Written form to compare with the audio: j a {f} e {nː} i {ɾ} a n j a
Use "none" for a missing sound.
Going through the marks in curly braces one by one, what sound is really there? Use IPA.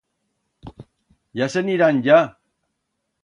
s, n, ɾ

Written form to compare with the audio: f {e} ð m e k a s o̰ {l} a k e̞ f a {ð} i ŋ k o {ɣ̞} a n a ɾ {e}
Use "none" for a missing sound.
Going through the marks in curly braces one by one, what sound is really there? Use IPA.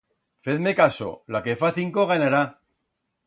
e, l, θ, ɣ̞, a

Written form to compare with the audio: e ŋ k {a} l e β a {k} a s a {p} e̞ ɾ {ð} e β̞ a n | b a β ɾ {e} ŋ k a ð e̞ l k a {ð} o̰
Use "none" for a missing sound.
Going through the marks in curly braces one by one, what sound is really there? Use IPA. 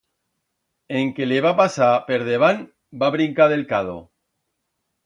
e, p, p, ð, i, ð

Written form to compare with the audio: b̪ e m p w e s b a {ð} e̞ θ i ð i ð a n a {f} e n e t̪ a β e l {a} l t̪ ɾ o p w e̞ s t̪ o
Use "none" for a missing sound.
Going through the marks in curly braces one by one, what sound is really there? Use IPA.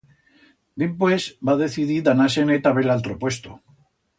ð, s, a

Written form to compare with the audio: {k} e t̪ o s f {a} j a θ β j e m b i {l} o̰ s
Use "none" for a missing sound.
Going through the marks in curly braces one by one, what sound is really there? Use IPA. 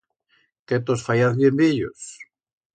k, a, ʎ

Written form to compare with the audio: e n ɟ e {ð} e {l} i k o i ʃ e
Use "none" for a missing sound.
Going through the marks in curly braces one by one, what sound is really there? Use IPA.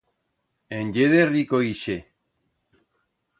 ð, r

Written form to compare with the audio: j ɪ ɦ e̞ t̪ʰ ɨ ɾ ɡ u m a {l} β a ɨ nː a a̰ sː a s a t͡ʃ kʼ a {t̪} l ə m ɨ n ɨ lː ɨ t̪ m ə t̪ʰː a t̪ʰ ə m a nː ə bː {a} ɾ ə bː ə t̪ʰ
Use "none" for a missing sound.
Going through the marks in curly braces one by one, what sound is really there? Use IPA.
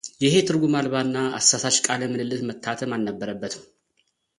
l, none, ə

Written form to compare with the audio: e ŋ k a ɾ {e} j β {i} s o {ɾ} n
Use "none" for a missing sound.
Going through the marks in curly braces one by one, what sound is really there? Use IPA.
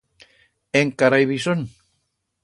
a, i, none

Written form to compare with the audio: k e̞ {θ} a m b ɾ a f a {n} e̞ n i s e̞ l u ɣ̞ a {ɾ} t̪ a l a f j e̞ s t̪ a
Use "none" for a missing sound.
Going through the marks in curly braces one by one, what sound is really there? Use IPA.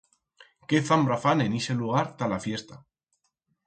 θ, n, ɾ

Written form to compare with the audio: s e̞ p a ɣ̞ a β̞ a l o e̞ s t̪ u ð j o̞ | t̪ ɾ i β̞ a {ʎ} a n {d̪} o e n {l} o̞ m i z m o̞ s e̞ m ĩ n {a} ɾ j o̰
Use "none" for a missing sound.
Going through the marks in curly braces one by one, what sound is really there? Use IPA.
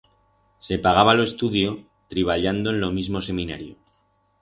ʎ, d̪, l, a

